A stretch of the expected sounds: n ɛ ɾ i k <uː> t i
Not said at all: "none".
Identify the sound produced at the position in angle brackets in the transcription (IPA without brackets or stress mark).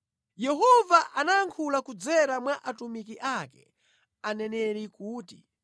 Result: uː